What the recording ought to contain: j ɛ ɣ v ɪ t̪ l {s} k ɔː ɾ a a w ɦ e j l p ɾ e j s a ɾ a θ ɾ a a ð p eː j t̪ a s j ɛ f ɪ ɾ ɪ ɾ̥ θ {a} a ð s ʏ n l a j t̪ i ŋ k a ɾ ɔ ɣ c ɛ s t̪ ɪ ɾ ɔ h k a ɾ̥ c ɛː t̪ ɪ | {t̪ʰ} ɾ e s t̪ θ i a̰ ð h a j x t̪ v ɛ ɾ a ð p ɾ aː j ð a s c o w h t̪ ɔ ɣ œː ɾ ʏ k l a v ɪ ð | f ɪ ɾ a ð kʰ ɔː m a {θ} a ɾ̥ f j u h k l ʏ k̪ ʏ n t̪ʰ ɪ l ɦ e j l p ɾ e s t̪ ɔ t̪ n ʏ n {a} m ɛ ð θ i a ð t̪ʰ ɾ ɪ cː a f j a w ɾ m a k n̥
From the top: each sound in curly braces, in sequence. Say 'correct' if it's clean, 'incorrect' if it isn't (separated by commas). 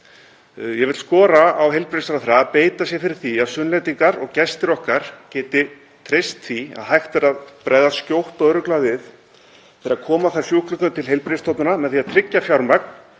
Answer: correct, incorrect, correct, correct, correct